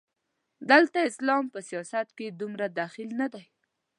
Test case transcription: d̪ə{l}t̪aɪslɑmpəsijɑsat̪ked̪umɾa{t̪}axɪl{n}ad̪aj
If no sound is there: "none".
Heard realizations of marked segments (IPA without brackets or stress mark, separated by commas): l, d̪, n